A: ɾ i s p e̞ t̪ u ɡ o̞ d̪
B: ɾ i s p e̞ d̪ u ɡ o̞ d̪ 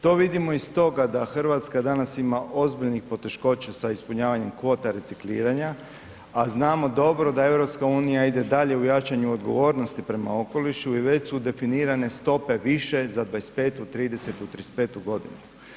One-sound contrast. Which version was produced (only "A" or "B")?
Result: A